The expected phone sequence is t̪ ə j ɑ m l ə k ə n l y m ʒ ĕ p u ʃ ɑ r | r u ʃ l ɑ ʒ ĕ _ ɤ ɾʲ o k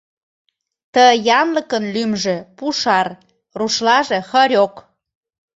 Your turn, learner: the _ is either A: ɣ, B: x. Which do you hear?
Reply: B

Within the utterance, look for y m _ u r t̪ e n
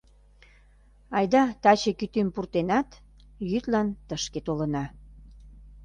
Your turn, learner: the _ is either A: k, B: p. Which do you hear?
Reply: B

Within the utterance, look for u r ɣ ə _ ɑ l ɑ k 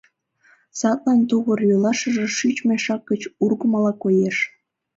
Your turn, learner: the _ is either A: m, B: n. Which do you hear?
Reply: A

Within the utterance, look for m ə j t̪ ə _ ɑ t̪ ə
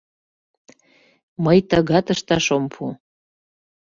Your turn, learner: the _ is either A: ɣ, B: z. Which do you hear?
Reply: A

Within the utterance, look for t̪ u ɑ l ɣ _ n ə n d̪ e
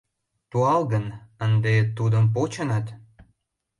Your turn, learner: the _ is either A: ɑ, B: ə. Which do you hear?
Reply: B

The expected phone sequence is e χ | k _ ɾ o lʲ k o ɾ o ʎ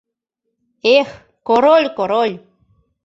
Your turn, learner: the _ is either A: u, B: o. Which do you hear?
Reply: B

